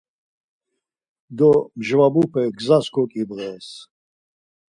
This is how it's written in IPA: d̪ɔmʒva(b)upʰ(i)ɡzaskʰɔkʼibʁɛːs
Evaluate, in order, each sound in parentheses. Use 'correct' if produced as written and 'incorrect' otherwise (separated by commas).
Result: correct, incorrect